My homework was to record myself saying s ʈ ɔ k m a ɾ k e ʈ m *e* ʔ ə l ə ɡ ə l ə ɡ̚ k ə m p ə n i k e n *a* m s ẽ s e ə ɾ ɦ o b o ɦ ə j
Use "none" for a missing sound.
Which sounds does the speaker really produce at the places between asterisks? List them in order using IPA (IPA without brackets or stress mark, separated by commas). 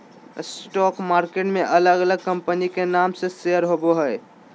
e, a